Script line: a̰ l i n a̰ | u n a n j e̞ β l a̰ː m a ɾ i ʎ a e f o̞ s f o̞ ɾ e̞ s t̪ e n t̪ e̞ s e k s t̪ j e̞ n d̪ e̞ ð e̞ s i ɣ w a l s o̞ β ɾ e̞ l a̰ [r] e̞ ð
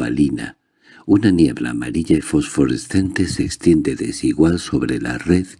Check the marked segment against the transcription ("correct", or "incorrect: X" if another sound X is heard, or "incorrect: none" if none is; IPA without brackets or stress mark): correct